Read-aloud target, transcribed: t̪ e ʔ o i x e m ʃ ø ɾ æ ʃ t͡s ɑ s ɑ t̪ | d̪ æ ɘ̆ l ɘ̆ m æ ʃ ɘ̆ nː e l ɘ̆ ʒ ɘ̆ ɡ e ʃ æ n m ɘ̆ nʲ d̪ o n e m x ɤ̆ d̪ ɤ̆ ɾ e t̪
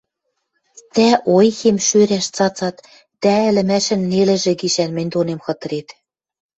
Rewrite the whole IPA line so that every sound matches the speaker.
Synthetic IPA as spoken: t̪ æ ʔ o j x e m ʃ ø ɾ æ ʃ t͡s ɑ t͡s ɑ t̪ | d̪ æ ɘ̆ l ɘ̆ m æ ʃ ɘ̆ nː e l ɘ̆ ʒ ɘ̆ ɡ i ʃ æ n m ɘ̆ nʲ d̪ o n e m x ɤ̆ t̪ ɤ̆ ɾ e t̪